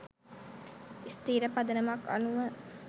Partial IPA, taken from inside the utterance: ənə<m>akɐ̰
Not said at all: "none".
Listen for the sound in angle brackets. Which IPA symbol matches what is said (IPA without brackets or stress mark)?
m